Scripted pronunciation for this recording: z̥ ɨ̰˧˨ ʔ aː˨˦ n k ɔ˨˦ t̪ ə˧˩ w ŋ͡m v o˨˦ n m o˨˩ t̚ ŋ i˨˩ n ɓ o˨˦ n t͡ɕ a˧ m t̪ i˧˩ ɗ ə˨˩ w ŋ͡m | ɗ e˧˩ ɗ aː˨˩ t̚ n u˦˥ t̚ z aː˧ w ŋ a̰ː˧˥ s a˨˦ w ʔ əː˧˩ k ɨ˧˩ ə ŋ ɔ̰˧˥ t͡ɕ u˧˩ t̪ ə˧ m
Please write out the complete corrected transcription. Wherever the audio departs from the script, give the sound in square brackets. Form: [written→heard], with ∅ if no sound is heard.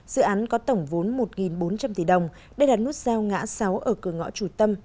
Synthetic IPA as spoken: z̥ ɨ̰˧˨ ʔ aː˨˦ n k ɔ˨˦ t̪ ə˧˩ w ŋ͡m v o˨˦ n m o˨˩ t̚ ŋ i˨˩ n ɓ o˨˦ n t͡ɕ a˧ m t̪ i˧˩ ɗ ə˨˩ w ŋ͡m | ɗ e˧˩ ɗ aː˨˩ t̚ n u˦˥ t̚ z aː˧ w ŋ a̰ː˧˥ s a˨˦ w ʔ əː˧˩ k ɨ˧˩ ə ŋ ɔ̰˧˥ t͡ɕ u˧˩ t̪ ə˧ m